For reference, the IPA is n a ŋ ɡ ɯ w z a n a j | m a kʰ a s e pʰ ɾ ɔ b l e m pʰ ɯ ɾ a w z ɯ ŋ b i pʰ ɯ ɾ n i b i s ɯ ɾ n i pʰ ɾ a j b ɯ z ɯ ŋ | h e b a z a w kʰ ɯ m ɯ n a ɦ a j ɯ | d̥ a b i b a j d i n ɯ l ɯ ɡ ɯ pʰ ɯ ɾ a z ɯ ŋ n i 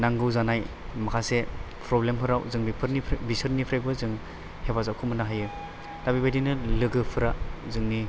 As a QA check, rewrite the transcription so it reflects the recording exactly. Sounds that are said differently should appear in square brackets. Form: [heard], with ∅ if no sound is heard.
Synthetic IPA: n a ŋ ɡ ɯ w z a n a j | m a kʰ a s e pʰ ɾ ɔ b l e m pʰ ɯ ɾ a w z ɯ ŋ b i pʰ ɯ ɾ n i b i s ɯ ɾ n i pʰ ɾ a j b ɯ z ɯ ŋ | h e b a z a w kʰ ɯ m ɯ n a ɦ a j ɯ | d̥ a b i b a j d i n ɯ l ɯ ɡ ɯ pʰ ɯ ɾ a z ɯ ŋ n i